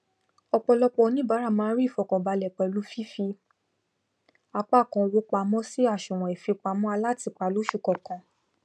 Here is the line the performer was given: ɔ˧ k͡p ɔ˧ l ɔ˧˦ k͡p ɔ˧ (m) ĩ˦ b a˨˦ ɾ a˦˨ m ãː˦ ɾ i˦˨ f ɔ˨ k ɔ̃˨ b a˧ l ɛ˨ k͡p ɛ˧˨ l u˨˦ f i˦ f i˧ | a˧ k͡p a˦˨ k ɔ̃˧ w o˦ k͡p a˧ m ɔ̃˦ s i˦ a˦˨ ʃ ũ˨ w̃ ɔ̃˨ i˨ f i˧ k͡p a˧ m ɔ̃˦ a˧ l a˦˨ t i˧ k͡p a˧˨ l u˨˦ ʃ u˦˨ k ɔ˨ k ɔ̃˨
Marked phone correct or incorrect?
incorrect